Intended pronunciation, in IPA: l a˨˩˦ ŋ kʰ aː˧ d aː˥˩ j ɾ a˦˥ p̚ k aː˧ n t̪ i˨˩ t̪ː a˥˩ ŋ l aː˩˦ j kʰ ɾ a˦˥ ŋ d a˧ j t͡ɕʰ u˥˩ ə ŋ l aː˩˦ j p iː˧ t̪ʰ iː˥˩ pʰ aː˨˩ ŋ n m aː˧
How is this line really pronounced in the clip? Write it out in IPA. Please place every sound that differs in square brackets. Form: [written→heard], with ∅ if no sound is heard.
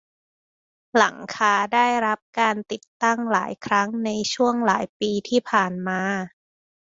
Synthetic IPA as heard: l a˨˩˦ ŋ kʰ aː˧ d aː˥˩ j ɾ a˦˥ p̚ k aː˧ n t̪ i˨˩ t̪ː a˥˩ ŋ l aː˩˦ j kʰ ɾ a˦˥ ŋ [d→n] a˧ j t͡ɕʰ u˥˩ ə ŋ l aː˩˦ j p iː˧ t̪ʰ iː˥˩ pʰ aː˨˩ [ŋ→∅] n m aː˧